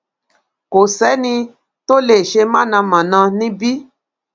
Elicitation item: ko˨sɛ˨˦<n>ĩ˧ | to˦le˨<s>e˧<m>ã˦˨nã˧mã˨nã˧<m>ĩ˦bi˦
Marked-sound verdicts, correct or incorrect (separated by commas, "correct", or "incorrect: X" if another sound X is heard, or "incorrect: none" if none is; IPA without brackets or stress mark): correct, incorrect: ʃ, correct, incorrect: n